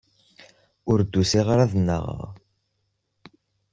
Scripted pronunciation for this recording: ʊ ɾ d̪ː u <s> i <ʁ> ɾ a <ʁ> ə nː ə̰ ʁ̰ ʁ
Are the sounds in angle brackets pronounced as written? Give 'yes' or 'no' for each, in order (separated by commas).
yes, yes, no